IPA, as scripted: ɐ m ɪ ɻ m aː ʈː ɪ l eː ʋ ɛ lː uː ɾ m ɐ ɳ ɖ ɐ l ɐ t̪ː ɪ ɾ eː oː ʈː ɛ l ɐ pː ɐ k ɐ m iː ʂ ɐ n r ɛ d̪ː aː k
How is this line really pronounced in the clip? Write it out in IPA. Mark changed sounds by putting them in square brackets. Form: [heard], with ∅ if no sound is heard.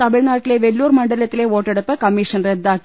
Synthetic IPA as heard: ɐ m ɪ ɻ [n] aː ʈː ɪ l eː ʋ ɛ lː uː ɾ m ɐ ɳ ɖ ɐ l ɐ t̪ː ɪ [l] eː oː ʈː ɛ [ɽ] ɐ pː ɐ k ɐ m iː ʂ ɐ n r ɛ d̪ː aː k